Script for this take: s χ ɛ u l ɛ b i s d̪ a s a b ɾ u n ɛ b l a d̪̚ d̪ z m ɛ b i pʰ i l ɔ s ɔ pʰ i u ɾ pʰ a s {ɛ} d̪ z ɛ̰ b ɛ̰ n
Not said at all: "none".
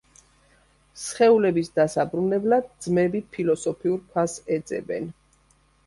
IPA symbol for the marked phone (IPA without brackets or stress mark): ɛ